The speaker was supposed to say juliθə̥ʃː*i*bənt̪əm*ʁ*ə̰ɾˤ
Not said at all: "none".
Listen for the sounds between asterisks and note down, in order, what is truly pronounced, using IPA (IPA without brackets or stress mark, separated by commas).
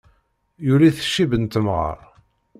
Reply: i, ʁ